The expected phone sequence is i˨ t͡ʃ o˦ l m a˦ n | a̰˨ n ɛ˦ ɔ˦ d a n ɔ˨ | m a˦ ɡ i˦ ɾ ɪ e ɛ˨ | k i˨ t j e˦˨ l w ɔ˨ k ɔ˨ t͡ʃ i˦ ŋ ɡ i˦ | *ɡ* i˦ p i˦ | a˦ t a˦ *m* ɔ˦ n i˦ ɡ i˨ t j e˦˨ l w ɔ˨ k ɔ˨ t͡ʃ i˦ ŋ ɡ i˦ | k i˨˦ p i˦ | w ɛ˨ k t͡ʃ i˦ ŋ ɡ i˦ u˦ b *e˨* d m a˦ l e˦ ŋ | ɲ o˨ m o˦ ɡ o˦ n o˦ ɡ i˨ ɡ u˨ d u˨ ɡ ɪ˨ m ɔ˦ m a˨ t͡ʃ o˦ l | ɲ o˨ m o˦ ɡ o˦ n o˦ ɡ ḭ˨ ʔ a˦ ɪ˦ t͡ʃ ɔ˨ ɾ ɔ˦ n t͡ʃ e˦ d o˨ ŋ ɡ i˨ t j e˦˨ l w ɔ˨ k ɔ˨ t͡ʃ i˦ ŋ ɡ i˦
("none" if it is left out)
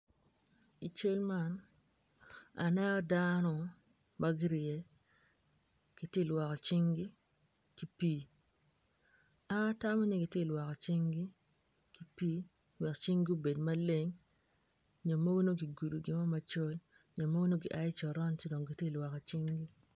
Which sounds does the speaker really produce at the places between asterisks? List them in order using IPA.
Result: k, m, e˨

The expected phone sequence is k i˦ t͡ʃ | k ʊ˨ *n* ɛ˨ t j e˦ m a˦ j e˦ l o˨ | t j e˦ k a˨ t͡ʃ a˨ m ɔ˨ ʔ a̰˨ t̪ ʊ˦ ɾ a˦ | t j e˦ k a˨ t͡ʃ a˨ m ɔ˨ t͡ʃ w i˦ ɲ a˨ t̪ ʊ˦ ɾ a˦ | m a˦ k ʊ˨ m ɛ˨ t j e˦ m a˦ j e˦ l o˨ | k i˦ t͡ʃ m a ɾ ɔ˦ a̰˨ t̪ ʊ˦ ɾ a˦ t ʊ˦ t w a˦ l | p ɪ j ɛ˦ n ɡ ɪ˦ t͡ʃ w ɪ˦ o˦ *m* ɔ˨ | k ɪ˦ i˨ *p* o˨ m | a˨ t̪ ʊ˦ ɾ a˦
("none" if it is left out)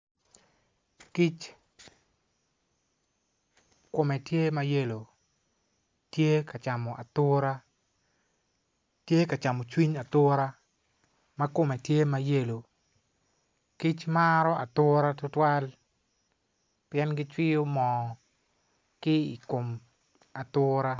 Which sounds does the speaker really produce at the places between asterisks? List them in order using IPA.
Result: m, m, k

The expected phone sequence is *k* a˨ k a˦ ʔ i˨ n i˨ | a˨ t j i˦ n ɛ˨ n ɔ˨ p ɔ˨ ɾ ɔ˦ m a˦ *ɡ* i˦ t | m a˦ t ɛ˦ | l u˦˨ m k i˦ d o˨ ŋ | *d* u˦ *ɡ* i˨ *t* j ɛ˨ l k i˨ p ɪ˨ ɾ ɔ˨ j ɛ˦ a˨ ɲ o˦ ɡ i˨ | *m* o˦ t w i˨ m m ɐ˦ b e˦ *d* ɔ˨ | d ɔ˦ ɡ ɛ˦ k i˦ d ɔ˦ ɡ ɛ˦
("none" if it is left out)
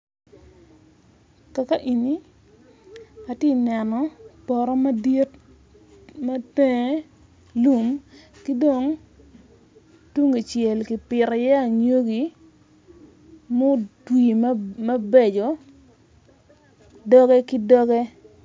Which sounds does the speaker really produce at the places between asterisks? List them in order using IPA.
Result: k, d, t, ŋ, t͡ʃ, m, d͡ʒ

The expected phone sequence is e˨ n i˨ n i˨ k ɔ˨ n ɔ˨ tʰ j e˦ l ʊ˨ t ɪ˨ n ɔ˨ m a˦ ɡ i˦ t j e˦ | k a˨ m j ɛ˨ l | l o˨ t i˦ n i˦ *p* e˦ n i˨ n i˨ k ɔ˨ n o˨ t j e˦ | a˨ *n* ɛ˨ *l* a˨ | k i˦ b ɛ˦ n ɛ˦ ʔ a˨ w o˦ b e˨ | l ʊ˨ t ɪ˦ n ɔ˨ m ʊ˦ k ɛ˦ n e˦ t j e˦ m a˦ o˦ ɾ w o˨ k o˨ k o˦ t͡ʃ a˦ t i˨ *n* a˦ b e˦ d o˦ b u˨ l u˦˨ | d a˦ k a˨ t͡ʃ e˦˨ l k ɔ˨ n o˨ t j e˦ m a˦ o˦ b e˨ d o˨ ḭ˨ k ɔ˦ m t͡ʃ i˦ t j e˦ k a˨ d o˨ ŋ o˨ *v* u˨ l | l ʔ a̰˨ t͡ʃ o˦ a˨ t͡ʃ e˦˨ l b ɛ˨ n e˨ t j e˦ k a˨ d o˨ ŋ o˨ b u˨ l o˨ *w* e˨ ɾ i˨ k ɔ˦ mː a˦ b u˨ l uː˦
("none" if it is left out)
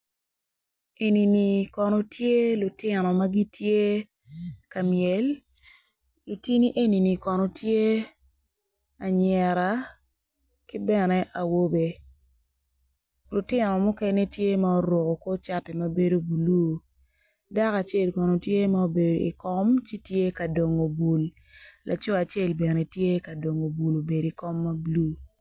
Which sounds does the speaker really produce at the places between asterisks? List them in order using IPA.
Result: ʔ, ɲ, ɾ, m, b, b

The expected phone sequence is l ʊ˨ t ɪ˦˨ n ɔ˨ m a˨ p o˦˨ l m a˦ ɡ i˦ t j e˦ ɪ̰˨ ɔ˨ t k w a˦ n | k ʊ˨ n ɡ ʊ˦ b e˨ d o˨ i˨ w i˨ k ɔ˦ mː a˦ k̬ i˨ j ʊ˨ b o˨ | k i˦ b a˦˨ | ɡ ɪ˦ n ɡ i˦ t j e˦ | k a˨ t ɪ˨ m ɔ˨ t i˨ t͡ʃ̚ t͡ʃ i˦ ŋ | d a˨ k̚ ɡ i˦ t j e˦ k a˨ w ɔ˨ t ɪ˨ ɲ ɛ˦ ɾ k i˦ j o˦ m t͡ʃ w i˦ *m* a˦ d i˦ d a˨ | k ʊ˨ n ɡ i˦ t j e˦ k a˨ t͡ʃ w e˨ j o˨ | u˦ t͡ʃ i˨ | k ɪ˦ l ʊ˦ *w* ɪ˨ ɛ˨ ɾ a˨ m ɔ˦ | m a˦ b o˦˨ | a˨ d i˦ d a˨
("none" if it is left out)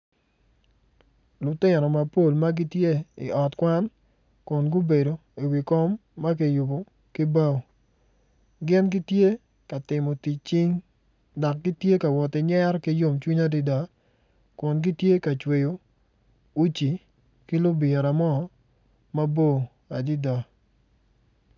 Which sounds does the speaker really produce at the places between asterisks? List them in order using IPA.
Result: ɲ, b

